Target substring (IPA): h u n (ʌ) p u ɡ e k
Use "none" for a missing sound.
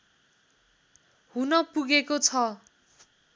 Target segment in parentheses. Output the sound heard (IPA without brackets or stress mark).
ʌ